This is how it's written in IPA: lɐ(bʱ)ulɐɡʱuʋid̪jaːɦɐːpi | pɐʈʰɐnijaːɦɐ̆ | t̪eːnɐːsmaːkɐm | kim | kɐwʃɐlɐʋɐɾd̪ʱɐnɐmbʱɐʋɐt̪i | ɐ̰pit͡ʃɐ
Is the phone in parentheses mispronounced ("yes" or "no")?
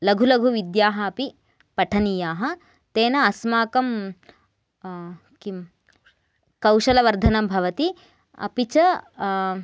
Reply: yes